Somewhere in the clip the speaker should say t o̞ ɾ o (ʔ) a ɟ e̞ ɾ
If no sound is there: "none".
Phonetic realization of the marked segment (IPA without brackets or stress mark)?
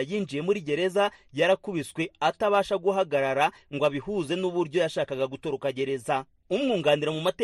k